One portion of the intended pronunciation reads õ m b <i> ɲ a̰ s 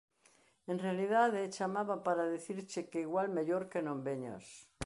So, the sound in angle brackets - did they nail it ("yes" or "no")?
no